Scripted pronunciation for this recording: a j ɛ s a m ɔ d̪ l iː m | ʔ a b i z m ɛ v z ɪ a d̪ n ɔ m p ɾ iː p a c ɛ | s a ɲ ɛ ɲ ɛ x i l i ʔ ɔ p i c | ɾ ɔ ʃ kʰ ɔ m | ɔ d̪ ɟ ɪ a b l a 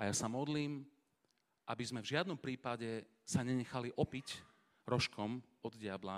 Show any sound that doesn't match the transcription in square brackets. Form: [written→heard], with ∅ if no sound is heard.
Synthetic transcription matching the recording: a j [ɛ→a] s a m ɔ d̪ l iː m | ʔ a b i z m ɛ v [z→ʒ] ɪ a d̪ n ɔ m p ɾ iː p a [c→ɟ] ɛ | s a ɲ ɛ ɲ ɛ x [i→a] l i ʔ ɔ p i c | ɾ ɔ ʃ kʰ ɔ m | ɔ d̪ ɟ ɪ a b l a